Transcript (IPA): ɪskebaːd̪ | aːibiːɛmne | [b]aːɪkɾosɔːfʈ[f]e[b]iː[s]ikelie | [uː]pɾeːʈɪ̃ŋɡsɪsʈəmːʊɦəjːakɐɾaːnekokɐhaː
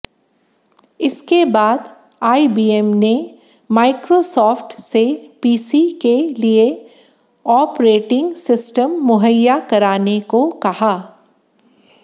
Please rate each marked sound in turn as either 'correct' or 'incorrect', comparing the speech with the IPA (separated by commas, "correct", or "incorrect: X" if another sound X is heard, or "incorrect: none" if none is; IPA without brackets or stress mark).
incorrect: m, incorrect: s, incorrect: p, correct, incorrect: ɔː